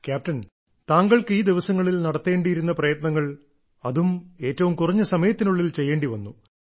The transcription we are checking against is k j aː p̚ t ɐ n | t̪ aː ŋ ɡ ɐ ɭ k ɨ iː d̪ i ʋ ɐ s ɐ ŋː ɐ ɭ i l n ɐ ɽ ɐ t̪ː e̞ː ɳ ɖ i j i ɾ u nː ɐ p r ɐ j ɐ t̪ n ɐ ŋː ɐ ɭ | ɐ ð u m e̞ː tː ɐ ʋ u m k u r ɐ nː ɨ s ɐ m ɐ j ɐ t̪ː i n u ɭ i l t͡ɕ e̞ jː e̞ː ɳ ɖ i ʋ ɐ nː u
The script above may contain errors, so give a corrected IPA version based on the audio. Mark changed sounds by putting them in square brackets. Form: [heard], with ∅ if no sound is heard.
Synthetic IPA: k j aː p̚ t ɐ n | t̪ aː ŋ ɡ ɐ ɭ k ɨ iː d̪ i ʋ ɐ s ɐ ŋː ɐ ɭ i l n ɐ ɽ ɐ t̪ː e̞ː ɳ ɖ i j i ɾ u nː ɐ p r ɐ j ɐ t̪ n ɐ ŋː ɐ ɭ | ɐ ð u m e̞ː tː ɐ ʋ u m k u r ɐ [ɲː] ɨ s ɐ m ɐ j ɐ t̪ː i n u [ɭː] i l t͡ɕ e̞ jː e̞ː ɳ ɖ i ʋ ɐ nː u